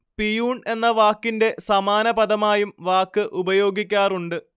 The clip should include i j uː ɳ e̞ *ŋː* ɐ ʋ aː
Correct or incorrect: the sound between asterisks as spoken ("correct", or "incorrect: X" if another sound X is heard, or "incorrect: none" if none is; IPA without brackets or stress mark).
incorrect: nː